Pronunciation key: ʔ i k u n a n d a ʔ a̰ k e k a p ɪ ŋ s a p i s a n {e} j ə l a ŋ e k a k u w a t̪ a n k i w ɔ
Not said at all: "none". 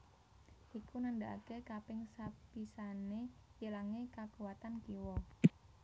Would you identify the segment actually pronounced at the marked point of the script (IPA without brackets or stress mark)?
e